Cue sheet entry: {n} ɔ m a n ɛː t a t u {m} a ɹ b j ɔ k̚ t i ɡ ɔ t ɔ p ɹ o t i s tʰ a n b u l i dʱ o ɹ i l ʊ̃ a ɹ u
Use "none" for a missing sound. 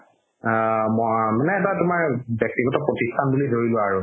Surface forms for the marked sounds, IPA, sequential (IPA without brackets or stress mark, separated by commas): m, m